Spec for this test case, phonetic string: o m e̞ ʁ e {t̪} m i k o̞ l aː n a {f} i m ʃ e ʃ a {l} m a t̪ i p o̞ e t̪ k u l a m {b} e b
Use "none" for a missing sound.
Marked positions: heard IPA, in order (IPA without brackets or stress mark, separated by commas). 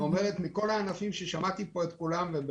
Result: t̪, f, none, v